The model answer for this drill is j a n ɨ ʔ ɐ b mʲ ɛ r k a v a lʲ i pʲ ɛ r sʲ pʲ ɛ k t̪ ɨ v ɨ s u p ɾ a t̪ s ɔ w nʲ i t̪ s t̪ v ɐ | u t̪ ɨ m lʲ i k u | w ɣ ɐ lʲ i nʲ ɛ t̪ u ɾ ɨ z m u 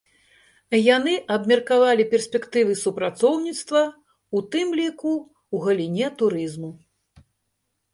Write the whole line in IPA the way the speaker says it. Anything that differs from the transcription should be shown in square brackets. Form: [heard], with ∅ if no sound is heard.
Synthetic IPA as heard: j a n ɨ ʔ ɐ b mʲ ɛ r k a v a lʲ i pʲ ɛ r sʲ pʲ ɛ k t̪ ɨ v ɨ s u p ɾ a t̪ s ɔ w nʲ i t̪ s t̪ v ɐ | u t̪ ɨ m lʲ i k u | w ɣ ɐ lʲ i nʲ ɛ t̪ u ɾ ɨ z m u